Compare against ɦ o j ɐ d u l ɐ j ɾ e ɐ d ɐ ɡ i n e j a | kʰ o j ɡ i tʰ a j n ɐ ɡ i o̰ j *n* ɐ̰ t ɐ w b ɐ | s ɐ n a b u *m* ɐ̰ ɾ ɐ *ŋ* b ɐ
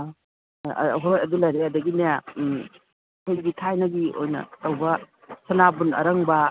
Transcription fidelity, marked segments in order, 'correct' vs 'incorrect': correct, incorrect: n, correct

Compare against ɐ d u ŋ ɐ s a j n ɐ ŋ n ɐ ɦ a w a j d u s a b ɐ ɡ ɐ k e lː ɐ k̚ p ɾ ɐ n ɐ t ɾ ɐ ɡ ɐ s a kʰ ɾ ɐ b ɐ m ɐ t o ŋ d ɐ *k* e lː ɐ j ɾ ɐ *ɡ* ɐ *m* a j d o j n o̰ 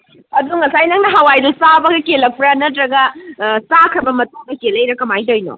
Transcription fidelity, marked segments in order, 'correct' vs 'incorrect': correct, incorrect: k, correct

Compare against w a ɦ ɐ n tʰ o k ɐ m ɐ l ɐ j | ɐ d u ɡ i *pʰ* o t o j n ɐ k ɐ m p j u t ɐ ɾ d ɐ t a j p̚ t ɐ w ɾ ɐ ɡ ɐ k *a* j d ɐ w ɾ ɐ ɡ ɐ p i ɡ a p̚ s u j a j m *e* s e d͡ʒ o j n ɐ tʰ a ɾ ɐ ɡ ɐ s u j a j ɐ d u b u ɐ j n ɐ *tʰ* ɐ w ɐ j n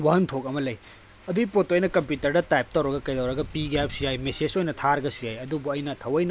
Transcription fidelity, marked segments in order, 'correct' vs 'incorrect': incorrect: p, incorrect: ɐ, correct, correct

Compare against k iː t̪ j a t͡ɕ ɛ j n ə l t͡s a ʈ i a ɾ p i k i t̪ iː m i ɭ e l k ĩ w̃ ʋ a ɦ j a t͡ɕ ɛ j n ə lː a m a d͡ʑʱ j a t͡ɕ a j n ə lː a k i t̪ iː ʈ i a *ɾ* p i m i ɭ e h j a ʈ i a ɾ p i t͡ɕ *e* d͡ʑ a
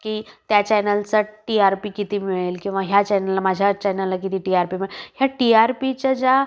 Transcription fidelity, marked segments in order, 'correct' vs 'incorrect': correct, incorrect: a

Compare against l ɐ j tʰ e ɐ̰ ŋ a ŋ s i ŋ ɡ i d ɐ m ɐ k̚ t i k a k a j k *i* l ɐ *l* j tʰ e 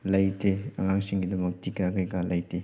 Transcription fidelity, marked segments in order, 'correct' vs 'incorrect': incorrect: a, incorrect: none

